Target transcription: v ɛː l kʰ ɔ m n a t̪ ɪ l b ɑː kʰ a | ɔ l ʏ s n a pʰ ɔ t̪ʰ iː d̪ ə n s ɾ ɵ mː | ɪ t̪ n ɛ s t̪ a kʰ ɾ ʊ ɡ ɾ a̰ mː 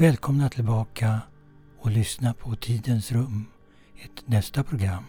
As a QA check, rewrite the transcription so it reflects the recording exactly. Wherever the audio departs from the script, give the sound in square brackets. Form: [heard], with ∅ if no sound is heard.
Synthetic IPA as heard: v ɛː l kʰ ɔ m n a [t̪ʰ] ɪ l b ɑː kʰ a | ɔ l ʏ s n a pʰ ɔ t̪ʰ iː d̪ ə n s ɾ ɵ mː | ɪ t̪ n ɛ s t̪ a [pʰ] ɾ ʊ ɡ ɾ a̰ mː